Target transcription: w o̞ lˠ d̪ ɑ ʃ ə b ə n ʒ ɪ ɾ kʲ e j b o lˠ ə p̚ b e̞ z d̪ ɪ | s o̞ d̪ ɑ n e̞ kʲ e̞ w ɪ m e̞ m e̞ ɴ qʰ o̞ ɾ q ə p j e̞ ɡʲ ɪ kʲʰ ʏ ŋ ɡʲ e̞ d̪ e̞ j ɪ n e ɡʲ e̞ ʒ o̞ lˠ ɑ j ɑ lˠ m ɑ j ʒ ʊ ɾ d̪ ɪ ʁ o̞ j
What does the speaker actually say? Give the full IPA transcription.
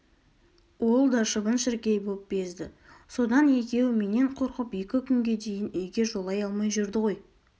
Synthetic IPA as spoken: w o̞ lˠ d̪ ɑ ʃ ə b ə n ʃ ɪ ɾ kʲ e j b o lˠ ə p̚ b e̞ z d̪ ɪ | s o̞ d̪ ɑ n e̞ kʲ e̞ w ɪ m e̞ n e̞ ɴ qʰ o̞ ɾ q ə p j e̞ kʲ ɪ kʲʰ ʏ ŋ ɡʲ e̞ d̪ e̞ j ɪ n e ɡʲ e̞ ʒ o̞ lˠ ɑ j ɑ lˠ m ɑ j ʒ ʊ ɾ d̪ ɪ ʁ o̞ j